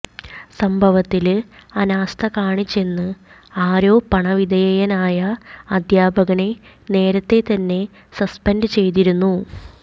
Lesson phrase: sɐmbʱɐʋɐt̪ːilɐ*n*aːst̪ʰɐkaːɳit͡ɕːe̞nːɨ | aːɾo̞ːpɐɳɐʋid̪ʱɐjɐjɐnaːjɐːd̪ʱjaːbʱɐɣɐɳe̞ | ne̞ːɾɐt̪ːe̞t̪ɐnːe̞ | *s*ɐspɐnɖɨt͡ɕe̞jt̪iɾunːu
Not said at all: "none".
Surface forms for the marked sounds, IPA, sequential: n, s

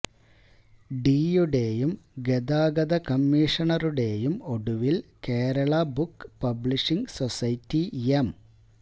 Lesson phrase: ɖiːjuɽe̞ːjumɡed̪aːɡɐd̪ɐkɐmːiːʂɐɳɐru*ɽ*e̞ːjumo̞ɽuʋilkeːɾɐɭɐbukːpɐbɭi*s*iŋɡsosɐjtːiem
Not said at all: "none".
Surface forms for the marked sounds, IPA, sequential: ɽ, ʂ

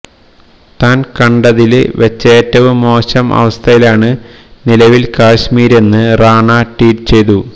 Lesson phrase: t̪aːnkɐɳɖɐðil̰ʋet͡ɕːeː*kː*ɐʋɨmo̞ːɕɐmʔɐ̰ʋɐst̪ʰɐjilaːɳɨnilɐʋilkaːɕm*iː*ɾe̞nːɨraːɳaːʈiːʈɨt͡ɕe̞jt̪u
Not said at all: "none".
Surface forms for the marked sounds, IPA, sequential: tː, iː

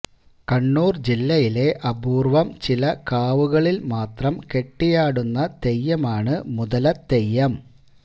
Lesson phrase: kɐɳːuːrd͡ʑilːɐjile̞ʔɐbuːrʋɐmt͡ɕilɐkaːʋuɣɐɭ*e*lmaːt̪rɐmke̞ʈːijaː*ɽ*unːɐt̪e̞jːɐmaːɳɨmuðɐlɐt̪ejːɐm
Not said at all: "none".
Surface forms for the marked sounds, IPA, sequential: i, ɽ

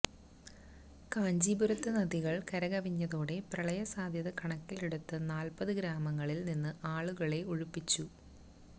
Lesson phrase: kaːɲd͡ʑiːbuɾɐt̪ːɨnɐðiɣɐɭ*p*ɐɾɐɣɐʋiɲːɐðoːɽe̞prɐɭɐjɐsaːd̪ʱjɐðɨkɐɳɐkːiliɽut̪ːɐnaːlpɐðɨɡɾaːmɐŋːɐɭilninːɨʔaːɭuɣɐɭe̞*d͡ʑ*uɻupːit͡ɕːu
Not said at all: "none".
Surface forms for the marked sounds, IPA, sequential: k, none

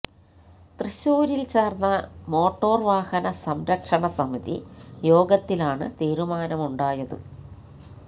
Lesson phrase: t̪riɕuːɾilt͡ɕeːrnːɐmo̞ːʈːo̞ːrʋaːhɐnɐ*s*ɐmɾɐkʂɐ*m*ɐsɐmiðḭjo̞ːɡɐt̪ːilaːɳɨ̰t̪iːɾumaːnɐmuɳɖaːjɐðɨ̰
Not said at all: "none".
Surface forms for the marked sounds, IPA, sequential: s, ɳ

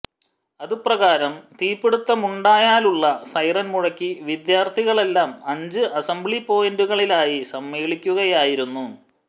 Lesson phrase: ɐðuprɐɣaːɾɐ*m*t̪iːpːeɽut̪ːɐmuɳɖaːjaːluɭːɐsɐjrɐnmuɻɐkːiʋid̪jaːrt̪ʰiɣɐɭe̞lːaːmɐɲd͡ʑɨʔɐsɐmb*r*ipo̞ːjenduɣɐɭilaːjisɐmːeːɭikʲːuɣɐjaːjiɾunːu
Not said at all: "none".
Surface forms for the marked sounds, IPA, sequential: m, ɭ

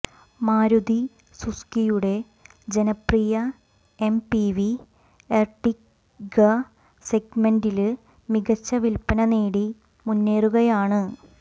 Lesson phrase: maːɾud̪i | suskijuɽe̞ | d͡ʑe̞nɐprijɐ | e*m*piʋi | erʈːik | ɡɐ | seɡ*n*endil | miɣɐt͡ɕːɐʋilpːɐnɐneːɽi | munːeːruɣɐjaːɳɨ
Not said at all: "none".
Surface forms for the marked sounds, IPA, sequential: m, m

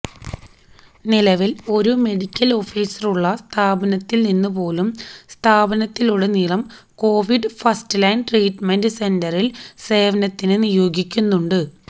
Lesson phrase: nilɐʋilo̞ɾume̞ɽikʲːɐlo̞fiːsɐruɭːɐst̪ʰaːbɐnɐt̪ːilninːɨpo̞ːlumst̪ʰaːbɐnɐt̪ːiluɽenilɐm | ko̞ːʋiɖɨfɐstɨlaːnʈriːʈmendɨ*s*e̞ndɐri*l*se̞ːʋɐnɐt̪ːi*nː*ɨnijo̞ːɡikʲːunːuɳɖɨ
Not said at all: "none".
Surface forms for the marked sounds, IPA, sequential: s, l, n

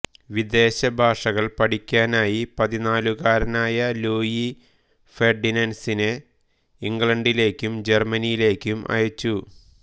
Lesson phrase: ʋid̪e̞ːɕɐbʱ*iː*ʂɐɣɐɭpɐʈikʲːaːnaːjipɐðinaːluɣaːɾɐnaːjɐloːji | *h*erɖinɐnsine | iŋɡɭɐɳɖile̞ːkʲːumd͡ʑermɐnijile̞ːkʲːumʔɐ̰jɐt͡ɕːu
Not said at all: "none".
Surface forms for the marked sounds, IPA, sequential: aː, f

